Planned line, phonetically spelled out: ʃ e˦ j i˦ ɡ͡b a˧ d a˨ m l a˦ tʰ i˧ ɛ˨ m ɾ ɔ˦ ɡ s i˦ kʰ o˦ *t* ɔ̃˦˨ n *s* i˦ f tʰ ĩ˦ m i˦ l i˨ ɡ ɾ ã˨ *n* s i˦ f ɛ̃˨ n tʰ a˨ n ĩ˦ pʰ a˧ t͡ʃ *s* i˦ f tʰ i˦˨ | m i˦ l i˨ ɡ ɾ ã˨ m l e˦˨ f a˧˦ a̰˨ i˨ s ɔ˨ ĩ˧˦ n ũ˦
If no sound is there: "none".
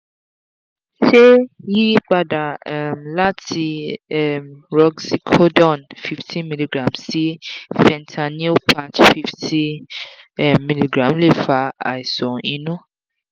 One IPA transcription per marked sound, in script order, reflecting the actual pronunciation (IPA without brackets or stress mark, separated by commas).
d, f, m, f